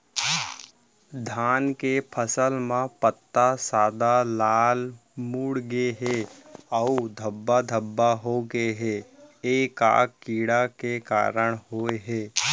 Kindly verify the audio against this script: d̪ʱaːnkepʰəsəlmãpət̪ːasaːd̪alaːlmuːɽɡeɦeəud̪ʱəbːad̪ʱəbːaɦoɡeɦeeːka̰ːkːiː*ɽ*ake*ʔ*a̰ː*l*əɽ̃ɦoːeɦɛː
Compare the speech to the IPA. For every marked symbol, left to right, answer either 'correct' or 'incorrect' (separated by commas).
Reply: correct, incorrect, incorrect